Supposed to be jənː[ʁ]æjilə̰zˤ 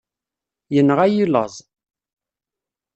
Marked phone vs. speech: correct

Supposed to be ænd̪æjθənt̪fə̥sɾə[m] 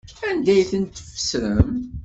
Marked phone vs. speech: correct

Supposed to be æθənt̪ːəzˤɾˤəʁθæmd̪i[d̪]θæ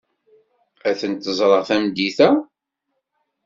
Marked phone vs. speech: incorrect: none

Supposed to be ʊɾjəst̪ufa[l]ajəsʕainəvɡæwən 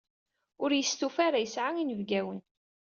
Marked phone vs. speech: incorrect: ɾ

